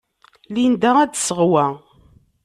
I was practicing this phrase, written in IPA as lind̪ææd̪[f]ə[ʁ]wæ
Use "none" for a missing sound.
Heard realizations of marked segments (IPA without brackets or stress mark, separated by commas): s, ʁ